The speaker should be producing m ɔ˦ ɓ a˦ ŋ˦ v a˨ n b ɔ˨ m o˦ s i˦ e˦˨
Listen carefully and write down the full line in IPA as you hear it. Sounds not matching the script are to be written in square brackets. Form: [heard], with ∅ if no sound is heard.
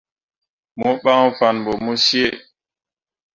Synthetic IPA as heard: m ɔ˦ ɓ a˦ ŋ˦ [f] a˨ n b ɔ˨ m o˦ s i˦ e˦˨